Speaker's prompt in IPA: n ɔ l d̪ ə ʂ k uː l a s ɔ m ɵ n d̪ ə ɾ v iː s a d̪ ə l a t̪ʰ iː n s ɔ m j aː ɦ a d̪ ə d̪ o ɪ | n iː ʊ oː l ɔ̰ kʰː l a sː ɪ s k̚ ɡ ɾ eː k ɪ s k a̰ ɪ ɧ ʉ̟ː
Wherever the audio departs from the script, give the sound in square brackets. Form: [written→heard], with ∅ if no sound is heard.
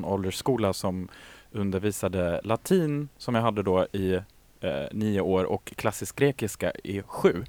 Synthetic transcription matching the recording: n ɔ l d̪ ə ʂ k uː l a s ɔ m ɵ n d̪ ə ɾ v iː s a d̪ ə l a t̪ʰ iː n s ɔ m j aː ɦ a [d̪→d̪ː] ə d̪ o ɪ | n iː ʊ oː [l→ɾ] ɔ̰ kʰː l a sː ɪ s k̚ ɡ ɾ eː k ɪ s k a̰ ɪ ɧ ʉ̟ː